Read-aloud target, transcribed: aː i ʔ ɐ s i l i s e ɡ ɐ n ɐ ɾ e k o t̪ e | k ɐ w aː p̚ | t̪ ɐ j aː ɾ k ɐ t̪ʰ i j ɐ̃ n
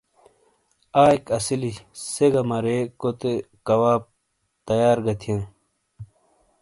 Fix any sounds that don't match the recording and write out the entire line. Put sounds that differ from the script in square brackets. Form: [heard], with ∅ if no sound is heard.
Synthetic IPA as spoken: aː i [k] ɐ s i l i s e ɡ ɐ [m] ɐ ɾ e k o t̪ e | k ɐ w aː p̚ | t̪ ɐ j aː ɾ [ɡ] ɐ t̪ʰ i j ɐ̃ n